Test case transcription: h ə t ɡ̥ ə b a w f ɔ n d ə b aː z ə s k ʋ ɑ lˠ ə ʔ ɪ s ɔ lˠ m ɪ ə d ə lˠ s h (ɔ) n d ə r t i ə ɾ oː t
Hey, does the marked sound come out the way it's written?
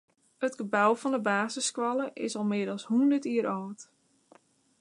no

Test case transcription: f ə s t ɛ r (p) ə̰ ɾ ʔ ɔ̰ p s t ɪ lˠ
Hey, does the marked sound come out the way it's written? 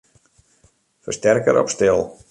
no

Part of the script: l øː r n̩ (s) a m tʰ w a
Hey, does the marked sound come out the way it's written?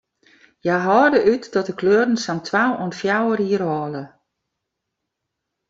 yes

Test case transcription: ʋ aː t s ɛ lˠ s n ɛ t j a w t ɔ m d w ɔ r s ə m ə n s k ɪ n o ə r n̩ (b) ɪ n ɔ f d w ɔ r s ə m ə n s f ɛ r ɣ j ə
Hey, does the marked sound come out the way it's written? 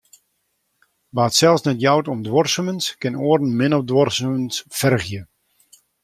no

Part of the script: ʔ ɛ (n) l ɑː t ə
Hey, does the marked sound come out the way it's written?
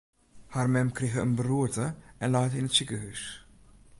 yes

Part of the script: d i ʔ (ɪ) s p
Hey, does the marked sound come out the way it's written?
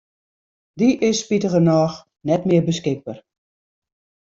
yes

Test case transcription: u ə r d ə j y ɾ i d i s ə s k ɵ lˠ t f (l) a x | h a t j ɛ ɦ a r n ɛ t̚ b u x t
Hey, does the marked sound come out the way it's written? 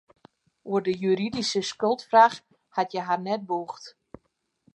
no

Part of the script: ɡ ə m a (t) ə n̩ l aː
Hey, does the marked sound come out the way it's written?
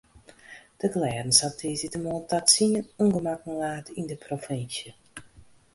no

